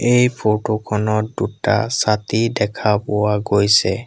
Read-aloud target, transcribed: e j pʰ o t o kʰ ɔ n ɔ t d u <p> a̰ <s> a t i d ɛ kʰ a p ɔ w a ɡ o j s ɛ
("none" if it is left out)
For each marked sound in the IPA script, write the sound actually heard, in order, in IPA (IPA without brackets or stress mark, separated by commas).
t, s